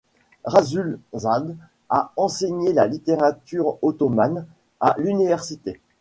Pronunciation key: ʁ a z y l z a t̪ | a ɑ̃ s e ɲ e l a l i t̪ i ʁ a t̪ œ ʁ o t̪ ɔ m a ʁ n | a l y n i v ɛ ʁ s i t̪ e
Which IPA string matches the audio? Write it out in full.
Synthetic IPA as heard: ʁ a z y l z a d̪ | a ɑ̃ s e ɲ e l a l i t̪ e ʁ a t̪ y ʁ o t̪ ɔ m a n | a l y n i v ɛ ʁ s i t̪ e